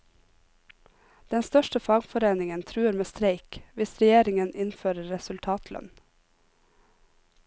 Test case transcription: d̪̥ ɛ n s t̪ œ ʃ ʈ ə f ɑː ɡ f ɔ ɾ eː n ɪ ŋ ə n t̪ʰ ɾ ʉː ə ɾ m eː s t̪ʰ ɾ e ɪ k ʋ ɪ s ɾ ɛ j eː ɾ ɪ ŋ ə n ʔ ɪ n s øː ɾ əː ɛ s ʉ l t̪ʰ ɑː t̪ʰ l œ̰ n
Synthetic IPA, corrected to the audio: d̪̥ ɛ n s t̪ œ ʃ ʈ ə f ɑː ɡ f ɔ ɾ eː n ɪ ŋ ə n t̪ʰ ɾ ʉː ə ɾ m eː s t̪ ɾ e ɪ k ʋ ɪ s ɾ ɛ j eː ɾ ɪ ŋ ə n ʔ ɪ n f øː ɾ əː ɛ s ʉ l t̪ʰ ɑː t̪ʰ l œ̰ n